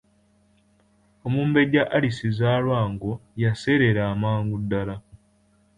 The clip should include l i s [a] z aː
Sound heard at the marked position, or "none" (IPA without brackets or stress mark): i